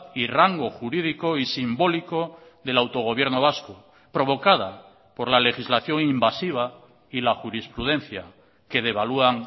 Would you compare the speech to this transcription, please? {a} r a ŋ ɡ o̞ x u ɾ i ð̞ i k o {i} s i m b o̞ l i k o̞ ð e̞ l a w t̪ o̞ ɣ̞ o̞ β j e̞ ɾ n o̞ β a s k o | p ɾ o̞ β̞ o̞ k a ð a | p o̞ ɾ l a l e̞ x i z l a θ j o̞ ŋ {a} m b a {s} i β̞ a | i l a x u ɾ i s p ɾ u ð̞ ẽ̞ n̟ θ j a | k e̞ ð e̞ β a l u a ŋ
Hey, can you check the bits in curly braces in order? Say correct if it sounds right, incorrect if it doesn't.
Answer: incorrect: i, correct, incorrect: i, correct

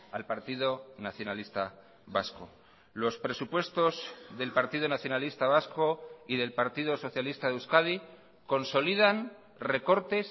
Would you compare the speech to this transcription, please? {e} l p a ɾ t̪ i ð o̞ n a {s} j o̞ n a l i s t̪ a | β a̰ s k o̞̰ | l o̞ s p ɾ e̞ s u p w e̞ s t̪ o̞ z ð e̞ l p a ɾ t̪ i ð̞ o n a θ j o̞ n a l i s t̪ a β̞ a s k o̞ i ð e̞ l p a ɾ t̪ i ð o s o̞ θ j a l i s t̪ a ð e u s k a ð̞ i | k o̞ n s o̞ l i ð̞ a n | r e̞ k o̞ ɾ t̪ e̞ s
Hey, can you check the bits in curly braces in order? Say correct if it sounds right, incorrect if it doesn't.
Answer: incorrect: a, incorrect: θ

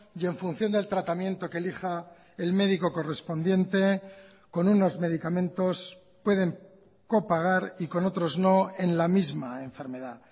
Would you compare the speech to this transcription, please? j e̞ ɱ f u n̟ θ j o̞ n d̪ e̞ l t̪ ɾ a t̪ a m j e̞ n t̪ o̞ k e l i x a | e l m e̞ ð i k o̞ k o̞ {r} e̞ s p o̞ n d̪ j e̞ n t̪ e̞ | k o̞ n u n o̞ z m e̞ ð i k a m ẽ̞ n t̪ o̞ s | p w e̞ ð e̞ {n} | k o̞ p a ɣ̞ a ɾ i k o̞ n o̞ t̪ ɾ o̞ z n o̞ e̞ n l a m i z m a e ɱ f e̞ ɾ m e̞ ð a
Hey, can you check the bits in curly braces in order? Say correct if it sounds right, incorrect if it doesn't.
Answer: correct, incorrect: ŋ

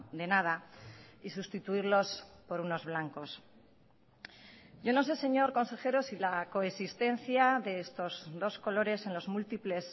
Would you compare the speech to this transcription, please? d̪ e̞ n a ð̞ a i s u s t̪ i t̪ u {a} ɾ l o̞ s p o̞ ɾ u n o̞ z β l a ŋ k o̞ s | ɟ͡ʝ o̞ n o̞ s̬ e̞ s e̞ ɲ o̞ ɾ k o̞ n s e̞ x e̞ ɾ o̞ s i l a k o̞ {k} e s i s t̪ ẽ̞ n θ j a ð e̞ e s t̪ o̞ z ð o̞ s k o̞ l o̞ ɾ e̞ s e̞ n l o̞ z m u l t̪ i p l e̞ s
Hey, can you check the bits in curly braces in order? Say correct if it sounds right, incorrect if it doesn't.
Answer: incorrect: i, incorrect: none

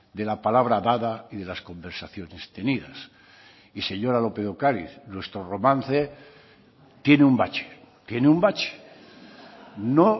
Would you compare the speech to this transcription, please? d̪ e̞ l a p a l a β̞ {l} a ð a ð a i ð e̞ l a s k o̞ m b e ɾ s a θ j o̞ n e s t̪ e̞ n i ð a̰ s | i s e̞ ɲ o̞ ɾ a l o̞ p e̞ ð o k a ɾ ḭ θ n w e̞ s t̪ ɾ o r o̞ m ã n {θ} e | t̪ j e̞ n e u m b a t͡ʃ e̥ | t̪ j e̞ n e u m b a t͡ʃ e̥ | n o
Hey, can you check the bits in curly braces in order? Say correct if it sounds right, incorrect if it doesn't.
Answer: incorrect: ɾ, correct

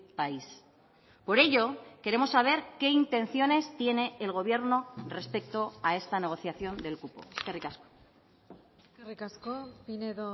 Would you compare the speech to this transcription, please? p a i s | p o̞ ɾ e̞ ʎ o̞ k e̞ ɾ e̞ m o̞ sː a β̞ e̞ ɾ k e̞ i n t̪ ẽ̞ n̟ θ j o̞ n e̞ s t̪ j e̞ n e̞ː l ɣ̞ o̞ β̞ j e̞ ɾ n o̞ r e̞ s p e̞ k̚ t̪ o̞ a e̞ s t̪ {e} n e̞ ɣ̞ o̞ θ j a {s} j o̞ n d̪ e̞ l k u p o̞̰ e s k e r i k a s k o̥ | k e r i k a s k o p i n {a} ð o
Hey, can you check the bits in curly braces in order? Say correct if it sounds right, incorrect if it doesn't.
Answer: incorrect: a, incorrect: θ, incorrect: e

